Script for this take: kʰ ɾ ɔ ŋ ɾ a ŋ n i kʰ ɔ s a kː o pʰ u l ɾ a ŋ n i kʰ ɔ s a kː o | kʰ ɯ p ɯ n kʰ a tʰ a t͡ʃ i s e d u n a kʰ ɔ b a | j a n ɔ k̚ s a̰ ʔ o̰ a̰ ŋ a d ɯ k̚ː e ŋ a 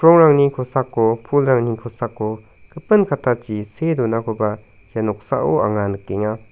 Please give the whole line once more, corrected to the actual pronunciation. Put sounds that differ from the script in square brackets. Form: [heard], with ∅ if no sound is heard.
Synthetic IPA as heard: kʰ ɾ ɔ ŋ ɾ a ŋ n i kʰ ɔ s a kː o pʰ u l ɾ a ŋ n i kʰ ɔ s a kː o | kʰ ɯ p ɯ n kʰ a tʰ a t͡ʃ i s e d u n a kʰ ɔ b a | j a n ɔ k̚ s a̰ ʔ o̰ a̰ ŋ a [n] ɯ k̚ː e ŋ a